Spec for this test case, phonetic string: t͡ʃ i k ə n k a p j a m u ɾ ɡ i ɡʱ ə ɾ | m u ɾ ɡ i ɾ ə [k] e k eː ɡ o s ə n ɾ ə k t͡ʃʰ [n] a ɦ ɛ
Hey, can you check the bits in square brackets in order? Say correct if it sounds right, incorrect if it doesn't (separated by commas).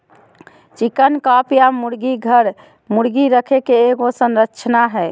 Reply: incorrect, correct